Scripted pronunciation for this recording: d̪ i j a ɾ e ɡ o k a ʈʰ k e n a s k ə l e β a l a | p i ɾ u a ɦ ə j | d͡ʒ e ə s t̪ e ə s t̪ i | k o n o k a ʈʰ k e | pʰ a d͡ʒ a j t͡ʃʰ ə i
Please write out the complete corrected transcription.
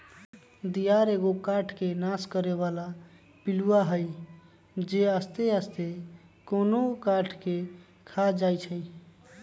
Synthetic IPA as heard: d̪ i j a ɾ e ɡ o k a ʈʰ k e n a s k ə ɾ e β a l a | p i l u a ɦ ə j | d͡ʒ e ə s t̪ e ə s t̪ e | k o n o k a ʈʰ k e | kʰ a d͡ʒ a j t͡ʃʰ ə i